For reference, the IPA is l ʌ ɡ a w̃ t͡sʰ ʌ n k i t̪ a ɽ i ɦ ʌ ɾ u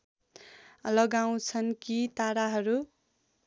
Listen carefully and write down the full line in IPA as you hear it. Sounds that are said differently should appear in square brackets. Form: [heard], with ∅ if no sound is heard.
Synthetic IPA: l ʌ ɡ a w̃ t͡sʰ ʌ n k i t̪ a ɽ [a] ɦ ʌ ɾ u